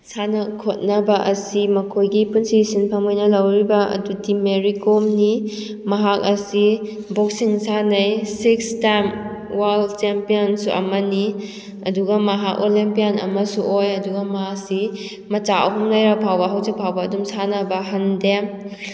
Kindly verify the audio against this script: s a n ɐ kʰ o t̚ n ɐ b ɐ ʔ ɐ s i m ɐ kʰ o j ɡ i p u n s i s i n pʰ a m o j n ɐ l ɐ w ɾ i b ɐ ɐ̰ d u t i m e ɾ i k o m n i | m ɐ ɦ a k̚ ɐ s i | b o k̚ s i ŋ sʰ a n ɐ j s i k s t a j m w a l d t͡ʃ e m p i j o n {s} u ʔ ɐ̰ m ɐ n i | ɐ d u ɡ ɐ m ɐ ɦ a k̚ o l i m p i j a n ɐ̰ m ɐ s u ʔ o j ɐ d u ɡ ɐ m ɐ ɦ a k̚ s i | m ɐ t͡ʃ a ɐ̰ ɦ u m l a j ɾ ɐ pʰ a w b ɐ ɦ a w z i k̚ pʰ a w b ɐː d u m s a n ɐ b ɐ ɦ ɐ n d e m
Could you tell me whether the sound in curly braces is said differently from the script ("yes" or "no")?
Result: no